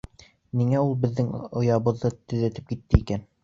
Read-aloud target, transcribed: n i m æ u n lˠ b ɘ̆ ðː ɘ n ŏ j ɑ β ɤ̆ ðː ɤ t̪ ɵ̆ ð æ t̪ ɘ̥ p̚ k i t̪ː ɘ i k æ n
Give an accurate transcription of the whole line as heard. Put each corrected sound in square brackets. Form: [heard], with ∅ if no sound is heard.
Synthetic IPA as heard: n i [ŋ] æ u [∅] lˠ b ɘ̆ ðː ɘ [ŋ] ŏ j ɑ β ɤ̆ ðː ɤ t̪ ɵ̆ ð æ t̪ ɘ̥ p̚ k i t̪ː ɘ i k æ n

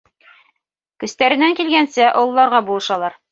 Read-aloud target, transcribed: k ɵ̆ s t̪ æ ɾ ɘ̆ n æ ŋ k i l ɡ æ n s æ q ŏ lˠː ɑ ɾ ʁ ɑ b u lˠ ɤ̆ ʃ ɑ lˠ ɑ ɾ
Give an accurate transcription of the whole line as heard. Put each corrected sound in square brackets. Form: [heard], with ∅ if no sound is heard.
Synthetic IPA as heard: k ɵ̆ s t̪ æ ɾ ɘ̆ n æ ŋ k i l ɡ æ n s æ [ʔ] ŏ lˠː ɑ ɾ ʁ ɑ b u lˠ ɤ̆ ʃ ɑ lˠ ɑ ɾ

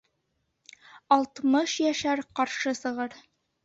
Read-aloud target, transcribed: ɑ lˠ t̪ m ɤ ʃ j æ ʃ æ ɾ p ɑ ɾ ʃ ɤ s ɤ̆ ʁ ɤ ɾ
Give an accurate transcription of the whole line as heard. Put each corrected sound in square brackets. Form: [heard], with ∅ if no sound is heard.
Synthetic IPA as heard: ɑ lˠ t̪ m ɤ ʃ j æ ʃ æ ɾ [q] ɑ ɾ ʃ ɤ s ɤ̆ ʁ ɤ ɾ

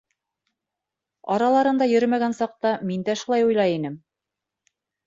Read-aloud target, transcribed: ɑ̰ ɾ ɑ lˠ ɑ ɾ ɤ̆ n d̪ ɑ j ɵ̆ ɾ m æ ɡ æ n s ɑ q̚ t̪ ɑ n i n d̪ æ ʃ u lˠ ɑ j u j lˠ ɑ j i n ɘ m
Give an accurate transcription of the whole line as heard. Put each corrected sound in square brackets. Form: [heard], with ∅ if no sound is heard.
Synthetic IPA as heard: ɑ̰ ɾ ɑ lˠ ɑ ɾ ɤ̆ n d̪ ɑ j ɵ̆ ɾ m æ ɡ æ n s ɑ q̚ t̪ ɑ [m] i n d̪ æ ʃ u lˠ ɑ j u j lˠ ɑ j i n ɘ m

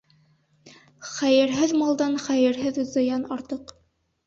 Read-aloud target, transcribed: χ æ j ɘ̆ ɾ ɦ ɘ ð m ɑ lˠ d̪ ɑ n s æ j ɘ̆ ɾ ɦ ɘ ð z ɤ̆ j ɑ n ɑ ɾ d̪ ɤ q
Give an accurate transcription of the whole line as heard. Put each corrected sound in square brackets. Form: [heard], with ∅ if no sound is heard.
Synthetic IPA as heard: χ æ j ɘ̆ ɾ ɦ ɘ ð m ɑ lˠ d̪ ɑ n [χ] æ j ɘ̆ ɾ ɦ ɘ ð z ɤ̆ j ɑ n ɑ ɾ [t̪] ɤ q

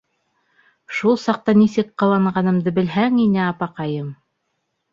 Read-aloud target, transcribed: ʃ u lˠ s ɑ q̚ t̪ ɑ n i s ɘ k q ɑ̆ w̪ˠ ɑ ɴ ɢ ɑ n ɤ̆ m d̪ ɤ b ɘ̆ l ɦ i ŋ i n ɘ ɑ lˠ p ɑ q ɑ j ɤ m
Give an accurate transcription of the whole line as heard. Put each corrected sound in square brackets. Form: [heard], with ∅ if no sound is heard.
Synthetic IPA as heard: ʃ u lˠ s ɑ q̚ t̪ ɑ n i s ɘ k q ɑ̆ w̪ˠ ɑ ɴ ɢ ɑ n ɤ̆ m d̪ ɤ b ɘ̆ l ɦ [æ] ŋ i n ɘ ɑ [∅] p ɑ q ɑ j ɤ m

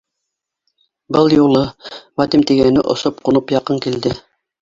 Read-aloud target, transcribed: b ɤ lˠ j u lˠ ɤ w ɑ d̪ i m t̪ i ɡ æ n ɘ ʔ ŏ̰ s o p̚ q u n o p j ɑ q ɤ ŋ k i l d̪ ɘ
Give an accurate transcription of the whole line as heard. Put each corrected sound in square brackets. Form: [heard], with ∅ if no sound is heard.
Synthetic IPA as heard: b ɤ lˠ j u lˠ ɤ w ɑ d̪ i m t̪ i ɡ æ n ɘ ʔ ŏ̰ s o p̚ q u n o p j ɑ q ɤ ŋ k i l d̪ ɘ

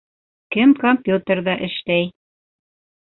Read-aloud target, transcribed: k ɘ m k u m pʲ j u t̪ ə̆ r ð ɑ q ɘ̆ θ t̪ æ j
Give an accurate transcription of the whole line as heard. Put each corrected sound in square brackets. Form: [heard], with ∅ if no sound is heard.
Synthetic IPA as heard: k ɘ m k [o] m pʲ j u t̪ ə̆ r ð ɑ [ʔ] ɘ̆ [ʃ] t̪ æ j

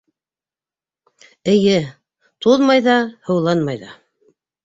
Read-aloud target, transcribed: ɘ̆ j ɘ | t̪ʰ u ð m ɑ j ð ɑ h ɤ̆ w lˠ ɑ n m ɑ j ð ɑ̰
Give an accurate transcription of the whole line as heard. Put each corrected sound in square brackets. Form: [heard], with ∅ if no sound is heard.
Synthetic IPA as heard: ɘ̆ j ɘ | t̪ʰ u ð m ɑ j ð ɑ h ɤ̆ w lˠ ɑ n m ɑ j ð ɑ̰

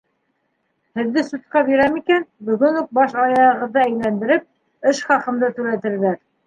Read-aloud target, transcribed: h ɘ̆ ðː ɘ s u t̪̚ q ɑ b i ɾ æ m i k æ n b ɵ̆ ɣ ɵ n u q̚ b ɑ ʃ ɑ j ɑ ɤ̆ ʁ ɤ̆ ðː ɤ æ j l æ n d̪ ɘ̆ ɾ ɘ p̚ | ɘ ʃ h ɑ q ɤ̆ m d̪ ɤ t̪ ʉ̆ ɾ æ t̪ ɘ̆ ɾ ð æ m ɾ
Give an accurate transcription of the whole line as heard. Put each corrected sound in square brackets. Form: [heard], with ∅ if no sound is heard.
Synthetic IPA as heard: h ɘ̆ ðː ɘ s u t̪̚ q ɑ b i ɾ æ m i k æ n b ɵ̆ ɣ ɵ n u q̚ b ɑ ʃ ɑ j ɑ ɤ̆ ʁ ɤ̆ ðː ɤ æ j l æ n d̪ ɘ̆ ɾ ɘ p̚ | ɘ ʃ [χ] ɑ q ɤ̆ m d̪ ɤ t̪ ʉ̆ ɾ æ t̪ ɘ̆ ɾ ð æ [∅] ɾ

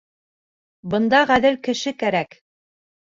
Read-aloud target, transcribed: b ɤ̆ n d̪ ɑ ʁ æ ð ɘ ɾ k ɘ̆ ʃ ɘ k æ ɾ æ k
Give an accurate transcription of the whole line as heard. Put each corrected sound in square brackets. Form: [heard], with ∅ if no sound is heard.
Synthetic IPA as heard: b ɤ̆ n d̪ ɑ ʁ æ ð ɘ [l] k ɘ̆ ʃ ɘ k æ ɾ æ k

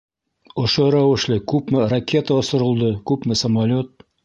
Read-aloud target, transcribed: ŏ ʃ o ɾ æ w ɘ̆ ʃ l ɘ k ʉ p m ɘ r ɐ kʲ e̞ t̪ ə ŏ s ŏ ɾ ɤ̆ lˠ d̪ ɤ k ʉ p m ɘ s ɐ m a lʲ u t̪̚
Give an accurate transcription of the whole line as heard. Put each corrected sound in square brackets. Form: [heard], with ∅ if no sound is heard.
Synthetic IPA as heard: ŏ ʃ o ɾ æ w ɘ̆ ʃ l ɘ k ʉ p m ɘ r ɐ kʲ e̞ t̪ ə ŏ s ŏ ɾ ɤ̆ lˠ d̪ ɤ k ʉ p m ɘ s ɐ m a lʲ [o] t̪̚

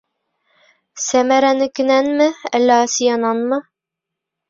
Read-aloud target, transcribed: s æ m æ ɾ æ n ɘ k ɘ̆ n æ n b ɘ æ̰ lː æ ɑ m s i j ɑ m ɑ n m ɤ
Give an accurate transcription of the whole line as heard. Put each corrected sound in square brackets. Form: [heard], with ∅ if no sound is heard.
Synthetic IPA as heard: s æ m æ ɾ æ n ɘ k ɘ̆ n æ n [m] ɘ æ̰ lː æ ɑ [∅] s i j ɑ [n] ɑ n m ɤ

